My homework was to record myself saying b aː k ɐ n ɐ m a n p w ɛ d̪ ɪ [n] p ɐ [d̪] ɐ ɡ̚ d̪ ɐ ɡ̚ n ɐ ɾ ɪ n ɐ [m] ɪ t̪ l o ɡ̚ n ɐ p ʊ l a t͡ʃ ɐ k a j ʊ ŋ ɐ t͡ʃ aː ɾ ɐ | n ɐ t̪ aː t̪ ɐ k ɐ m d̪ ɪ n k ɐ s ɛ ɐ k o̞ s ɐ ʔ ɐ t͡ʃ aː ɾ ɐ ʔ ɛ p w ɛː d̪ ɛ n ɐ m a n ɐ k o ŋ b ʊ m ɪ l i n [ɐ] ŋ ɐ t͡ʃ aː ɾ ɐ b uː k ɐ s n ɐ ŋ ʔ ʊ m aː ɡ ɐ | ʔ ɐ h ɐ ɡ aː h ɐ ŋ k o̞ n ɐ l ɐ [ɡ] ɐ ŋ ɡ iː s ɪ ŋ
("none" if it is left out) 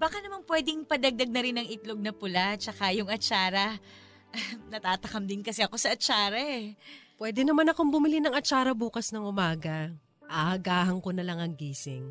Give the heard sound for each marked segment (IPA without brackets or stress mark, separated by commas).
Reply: ŋ, d̪, ŋ, ɐ, ŋ